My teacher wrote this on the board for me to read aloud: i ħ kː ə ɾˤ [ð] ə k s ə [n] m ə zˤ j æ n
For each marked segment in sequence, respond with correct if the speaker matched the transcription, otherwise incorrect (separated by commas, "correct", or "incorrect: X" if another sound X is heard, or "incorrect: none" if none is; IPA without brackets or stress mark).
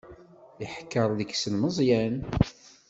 correct, correct